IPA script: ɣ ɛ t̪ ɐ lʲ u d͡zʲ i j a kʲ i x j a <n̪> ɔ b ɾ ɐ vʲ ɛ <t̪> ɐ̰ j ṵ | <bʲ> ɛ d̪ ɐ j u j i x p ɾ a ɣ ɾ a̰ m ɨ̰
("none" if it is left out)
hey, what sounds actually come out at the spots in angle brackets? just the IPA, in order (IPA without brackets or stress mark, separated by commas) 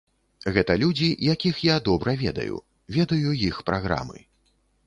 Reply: d̪, d̪, vʲ